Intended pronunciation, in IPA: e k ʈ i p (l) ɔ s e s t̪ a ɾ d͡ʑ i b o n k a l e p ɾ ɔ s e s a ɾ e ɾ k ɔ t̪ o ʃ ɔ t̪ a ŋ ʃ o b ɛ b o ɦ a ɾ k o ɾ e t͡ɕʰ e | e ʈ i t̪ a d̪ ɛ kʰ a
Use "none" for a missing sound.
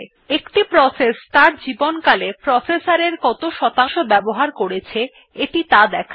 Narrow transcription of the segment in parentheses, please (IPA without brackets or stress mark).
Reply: ɾ